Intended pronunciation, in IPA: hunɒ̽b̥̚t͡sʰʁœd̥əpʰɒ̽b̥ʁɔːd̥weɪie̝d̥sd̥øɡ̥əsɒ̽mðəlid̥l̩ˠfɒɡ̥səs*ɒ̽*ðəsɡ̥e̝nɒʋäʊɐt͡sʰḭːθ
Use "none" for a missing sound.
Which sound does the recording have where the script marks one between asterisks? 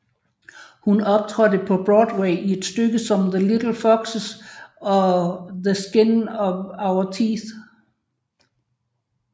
ɒ̽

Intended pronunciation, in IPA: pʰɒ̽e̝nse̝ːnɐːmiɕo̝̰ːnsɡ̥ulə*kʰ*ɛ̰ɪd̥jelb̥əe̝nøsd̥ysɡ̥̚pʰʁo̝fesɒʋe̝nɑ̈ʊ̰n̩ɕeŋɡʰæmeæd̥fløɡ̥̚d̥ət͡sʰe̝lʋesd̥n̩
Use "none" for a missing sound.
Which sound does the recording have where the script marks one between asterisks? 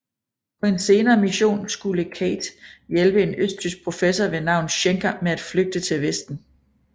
kʰ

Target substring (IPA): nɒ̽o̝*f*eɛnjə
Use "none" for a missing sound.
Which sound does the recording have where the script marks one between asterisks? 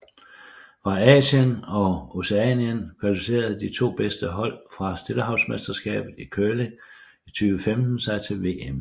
s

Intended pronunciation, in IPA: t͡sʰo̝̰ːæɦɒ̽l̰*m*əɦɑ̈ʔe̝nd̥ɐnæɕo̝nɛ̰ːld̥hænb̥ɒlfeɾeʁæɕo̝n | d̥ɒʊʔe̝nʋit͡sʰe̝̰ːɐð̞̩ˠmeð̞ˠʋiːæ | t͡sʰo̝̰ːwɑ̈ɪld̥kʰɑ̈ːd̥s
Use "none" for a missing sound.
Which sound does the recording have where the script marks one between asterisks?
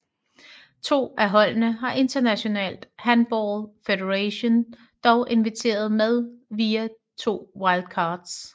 n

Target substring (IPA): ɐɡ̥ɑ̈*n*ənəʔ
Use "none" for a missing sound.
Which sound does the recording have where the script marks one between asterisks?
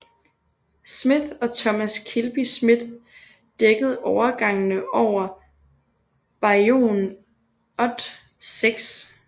ŋ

